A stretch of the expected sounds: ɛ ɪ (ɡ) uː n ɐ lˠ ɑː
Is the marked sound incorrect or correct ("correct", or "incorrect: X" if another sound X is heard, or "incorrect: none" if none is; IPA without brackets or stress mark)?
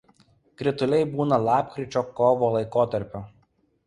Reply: incorrect: b